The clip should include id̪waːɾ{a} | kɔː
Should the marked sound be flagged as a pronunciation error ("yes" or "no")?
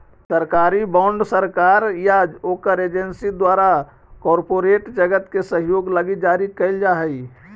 no